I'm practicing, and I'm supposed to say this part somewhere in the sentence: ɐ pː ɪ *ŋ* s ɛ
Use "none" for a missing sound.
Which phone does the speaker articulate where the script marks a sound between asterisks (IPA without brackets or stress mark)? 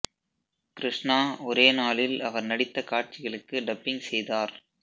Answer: ŋ